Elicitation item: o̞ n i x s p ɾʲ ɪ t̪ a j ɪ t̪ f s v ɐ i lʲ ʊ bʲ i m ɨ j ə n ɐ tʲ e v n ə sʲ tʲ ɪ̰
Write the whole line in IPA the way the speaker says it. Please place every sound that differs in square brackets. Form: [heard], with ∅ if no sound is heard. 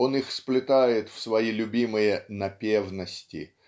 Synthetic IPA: o̞ n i x s p [lʲ] ɪ t̪ a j ɪ t̪ f s v ɐ i lʲ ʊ bʲ i m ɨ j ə n ɐ [pʲ] e v n ə sʲ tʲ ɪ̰